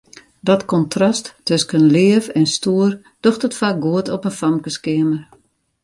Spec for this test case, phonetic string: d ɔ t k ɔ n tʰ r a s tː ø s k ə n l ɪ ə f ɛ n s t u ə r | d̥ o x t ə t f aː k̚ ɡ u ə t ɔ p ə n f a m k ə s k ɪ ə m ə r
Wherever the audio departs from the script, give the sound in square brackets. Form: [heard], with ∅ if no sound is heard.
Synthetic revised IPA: d ɔ t k ɔ n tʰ r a s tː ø s k ə n l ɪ ə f ɛ n s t u ə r | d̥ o x t ə t f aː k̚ ɡ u ə t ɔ p ə n f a m k ə s k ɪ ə m ə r